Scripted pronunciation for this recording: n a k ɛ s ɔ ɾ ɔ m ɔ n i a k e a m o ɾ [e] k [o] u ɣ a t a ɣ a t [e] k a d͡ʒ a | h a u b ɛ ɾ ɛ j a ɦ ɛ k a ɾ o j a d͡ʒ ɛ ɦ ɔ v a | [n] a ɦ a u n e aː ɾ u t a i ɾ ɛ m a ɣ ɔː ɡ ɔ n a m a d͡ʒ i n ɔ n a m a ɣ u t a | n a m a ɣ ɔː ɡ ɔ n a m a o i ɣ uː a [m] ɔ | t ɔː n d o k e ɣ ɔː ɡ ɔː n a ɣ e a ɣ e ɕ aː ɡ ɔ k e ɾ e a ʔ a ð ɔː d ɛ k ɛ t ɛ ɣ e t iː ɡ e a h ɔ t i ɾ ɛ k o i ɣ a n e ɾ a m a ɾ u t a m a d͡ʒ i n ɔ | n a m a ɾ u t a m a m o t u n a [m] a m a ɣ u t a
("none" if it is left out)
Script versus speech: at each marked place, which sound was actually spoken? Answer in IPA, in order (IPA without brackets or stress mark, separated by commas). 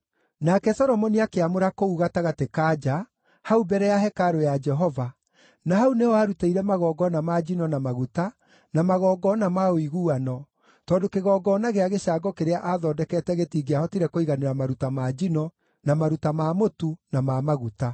a, o, e, n, n, m